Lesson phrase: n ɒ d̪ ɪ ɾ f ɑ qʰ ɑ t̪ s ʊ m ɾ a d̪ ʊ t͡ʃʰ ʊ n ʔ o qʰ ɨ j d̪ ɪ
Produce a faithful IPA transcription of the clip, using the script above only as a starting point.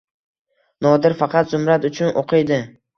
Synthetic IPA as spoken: n ɒ d̪ ɪ ɾ f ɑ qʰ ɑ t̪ z ʊ m ɾ a t̪ ʊ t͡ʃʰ ʊ n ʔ o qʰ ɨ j d̪ ɪ